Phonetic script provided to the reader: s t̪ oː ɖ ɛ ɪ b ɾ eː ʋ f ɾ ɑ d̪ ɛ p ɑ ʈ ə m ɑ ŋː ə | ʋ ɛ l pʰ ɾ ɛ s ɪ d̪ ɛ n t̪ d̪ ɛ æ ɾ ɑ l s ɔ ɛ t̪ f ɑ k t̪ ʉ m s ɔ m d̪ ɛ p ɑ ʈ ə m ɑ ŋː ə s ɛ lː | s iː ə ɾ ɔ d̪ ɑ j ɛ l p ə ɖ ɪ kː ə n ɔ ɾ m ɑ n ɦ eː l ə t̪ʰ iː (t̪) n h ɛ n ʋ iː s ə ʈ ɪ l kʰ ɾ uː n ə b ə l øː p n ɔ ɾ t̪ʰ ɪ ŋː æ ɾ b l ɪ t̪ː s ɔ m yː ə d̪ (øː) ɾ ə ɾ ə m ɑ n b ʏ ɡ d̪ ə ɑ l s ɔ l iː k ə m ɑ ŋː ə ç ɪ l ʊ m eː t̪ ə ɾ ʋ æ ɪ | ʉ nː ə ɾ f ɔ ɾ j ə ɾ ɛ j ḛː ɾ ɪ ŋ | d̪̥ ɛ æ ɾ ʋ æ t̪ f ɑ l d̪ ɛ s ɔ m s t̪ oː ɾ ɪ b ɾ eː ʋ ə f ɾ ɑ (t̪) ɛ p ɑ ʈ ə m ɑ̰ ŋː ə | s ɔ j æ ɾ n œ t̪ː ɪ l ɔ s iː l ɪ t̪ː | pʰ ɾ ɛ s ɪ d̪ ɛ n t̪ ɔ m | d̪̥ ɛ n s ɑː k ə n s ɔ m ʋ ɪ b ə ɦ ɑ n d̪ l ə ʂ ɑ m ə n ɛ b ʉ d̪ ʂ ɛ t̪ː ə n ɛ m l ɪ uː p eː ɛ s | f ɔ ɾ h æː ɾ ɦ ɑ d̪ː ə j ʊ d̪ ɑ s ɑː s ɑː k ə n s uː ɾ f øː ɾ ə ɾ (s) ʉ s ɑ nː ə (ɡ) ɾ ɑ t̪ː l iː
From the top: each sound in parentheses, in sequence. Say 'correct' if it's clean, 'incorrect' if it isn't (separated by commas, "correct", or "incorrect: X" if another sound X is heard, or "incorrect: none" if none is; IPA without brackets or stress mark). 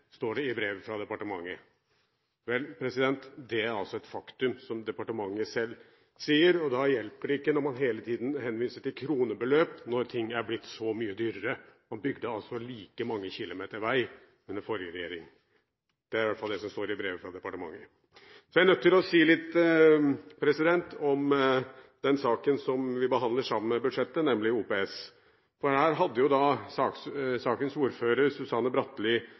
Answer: incorrect: d̪, incorrect: yː, incorrect: d̪, correct, incorrect: b